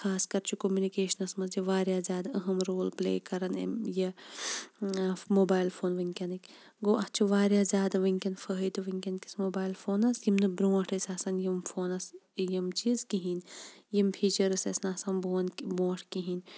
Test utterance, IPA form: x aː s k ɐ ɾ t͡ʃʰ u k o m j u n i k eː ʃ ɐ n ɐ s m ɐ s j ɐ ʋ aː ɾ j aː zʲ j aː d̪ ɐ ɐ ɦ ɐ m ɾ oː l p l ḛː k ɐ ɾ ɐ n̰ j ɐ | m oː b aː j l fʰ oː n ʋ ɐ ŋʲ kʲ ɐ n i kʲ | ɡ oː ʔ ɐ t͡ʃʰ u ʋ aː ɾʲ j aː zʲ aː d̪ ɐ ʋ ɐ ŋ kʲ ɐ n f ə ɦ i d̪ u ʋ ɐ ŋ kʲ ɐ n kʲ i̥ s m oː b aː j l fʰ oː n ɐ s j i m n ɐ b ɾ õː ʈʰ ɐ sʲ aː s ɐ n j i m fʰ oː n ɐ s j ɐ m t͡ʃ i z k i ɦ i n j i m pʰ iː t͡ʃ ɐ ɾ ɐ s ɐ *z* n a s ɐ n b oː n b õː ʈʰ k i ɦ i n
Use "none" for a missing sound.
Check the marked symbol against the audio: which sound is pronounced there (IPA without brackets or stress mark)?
s